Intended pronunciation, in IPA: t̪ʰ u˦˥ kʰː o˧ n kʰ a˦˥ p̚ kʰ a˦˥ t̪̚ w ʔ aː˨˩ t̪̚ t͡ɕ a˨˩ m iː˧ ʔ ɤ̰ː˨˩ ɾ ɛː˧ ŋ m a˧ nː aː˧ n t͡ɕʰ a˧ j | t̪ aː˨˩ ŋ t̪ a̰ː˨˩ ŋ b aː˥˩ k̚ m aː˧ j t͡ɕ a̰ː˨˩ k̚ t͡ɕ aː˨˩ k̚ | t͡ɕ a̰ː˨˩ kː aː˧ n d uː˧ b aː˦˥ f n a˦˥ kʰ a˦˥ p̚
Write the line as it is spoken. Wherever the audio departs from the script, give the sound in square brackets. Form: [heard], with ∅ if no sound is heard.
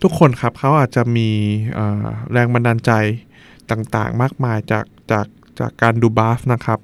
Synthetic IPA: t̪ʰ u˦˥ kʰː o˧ n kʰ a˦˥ p̚ kʰ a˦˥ [∅] w ʔ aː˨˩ t̪̚ t͡ɕ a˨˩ m iː˧ ʔ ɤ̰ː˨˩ ɾ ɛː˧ ŋ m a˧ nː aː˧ n [t͡ɕ] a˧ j | t̪ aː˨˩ ŋ t̪ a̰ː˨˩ ŋ [m] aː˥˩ k̚ m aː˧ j t͡ɕ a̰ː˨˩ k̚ t͡ɕ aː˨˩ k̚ | t͡ɕ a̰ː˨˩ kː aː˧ n d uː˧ b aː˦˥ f n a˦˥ kʰ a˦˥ p̚